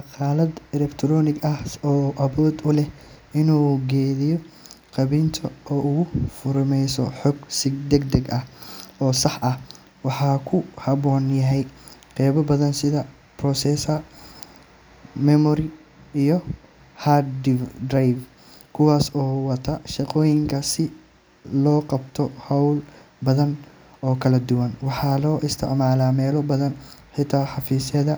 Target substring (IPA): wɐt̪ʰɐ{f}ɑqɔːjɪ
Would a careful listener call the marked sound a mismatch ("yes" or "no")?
yes